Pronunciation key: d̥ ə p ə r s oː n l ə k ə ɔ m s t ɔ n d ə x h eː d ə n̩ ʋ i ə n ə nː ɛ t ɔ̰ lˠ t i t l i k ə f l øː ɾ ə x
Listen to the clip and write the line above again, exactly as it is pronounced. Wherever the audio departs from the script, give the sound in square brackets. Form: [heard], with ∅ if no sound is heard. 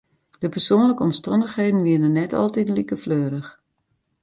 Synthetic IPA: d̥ ə p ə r s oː n l ə k ə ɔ m s t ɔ n d ə x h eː d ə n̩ ʋ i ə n ə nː ɛ t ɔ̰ lˠ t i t l i k ə f l øː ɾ ə x